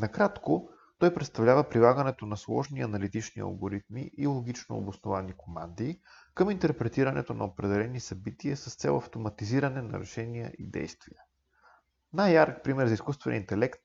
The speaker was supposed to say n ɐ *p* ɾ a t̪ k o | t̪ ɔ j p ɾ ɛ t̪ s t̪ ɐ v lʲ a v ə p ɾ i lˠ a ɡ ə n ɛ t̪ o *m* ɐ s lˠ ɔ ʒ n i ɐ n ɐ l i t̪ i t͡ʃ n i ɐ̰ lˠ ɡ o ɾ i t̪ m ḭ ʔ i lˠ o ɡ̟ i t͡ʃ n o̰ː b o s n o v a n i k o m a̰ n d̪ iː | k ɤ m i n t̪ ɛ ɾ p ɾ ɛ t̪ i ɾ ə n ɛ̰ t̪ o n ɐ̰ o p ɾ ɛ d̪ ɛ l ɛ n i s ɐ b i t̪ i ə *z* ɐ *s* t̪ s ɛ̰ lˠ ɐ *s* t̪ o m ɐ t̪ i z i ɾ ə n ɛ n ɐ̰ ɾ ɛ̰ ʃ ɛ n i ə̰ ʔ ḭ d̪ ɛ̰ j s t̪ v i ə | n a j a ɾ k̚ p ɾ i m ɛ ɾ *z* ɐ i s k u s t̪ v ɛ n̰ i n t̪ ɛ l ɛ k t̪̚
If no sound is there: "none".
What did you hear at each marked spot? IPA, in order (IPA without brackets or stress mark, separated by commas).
k, n, s, s, f, z